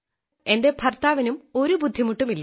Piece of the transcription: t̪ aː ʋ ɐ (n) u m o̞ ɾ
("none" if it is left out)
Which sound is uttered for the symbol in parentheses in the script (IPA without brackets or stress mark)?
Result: n